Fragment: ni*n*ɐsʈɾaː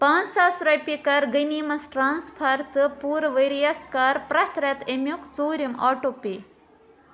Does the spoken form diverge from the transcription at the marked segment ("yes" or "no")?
yes